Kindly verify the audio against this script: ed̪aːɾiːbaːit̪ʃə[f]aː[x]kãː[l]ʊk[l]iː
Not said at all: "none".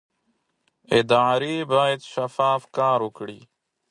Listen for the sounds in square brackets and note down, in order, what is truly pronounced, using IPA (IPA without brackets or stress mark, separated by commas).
f, f, ɾ, ɽ